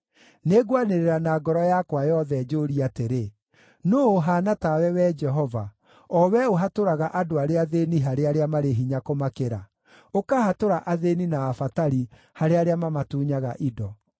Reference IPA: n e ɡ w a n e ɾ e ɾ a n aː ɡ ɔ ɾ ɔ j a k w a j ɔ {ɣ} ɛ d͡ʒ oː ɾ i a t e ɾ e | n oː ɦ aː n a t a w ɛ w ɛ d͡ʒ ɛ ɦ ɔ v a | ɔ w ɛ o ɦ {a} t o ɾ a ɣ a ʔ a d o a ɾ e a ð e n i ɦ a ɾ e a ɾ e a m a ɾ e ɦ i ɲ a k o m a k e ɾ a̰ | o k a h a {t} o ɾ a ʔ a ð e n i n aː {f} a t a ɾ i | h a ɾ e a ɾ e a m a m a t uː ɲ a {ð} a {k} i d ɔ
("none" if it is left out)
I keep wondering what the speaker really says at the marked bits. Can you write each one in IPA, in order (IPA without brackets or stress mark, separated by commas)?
ð, a, t, f, ɣ, ʔ